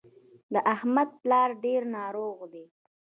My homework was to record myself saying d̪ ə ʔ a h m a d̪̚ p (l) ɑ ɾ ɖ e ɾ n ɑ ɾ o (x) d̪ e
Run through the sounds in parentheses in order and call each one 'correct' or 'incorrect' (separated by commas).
correct, incorrect